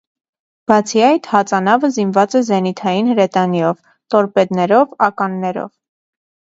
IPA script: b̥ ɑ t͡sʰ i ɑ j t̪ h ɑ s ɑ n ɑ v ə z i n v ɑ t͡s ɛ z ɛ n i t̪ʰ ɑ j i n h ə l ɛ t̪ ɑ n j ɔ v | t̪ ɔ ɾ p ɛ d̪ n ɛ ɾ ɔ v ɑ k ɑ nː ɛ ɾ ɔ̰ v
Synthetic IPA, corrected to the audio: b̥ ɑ t͡sʰ i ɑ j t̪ h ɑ t͡s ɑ n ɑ v ə z i n v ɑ t͡s ɛ z ɛ n i t̪ʰ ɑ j i n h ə ɾ ɛ t̪ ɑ n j ɔ v | t̪ ɔ ɾ p ɛ d̪ n ɛ ɾ ɔ v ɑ k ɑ nː ɛ ɾ ɔ̰ v